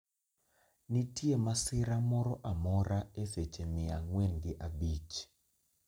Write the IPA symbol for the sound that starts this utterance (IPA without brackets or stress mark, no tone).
n